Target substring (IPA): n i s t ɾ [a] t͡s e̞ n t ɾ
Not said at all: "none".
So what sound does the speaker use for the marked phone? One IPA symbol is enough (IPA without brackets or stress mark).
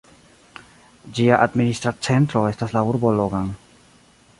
a